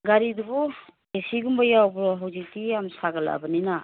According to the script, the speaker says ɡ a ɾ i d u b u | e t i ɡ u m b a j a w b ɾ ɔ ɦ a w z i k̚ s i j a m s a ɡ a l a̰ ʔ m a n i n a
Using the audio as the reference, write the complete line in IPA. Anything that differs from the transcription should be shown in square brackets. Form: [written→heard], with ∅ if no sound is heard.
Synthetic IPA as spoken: ɡ a ɾ i d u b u | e [t→s] i ɡ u m b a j a w b ɾ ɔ ɦ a w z i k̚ [s→t] i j a m s a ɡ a l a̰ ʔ [m→b] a n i n a